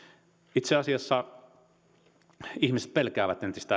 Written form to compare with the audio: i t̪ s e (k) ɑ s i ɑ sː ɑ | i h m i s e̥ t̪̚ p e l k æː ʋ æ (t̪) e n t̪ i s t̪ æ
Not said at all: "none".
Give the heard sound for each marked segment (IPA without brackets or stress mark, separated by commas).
none, t̪